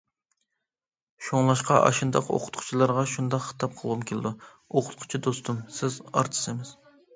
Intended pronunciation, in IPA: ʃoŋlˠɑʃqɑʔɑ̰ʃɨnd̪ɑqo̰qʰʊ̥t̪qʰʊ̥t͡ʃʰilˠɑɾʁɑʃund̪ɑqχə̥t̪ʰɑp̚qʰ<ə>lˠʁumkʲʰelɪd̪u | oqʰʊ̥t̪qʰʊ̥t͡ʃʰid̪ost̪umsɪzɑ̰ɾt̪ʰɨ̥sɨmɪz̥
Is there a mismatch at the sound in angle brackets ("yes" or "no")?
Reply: no